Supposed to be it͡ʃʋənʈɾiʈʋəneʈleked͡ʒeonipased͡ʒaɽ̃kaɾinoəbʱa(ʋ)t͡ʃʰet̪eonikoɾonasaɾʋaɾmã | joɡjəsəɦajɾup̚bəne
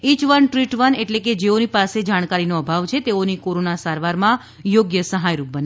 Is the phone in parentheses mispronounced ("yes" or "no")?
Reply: no